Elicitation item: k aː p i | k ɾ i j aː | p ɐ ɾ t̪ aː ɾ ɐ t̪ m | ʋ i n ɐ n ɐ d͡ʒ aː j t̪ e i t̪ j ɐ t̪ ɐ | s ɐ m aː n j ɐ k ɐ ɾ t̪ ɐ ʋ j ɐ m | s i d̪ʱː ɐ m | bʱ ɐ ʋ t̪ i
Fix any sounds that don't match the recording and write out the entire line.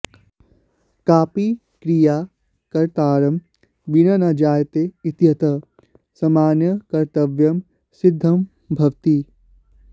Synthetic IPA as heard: k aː p i | k ɾ i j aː | k ɐ ɾ t̪ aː ɾ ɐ m | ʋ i n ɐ n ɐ d͡ʒ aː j t̪ e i t̪ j ɐ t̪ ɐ | s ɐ m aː n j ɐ k ɐ ɾ t̪ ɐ ʋ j ɐ m | s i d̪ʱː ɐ m | bʱ ɐ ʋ t̪ i